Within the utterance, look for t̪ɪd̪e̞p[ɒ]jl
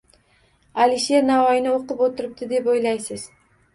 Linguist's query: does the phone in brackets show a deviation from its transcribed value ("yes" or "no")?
yes